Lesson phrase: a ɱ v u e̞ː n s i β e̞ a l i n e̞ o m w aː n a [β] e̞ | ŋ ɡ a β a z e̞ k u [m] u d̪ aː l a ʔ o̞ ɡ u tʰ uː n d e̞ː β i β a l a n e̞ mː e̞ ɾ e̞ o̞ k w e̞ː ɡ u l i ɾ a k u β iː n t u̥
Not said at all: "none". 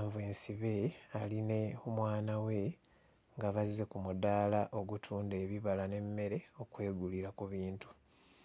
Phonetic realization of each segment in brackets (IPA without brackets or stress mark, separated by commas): w, m